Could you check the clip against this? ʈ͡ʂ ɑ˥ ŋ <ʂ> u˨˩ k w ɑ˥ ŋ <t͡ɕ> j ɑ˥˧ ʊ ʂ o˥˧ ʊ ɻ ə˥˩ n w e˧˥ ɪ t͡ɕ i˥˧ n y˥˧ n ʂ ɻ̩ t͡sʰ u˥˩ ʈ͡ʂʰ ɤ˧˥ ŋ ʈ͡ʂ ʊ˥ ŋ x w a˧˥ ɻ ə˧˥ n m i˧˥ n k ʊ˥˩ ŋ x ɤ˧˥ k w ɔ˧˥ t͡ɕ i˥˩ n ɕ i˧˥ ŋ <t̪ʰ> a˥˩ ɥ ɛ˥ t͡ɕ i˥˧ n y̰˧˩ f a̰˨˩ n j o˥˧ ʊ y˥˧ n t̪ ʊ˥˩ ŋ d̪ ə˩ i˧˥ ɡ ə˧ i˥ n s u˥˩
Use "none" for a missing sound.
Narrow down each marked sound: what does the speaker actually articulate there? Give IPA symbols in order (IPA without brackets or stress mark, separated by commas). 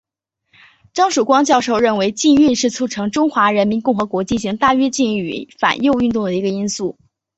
ʂ, t͡ɕ, t̪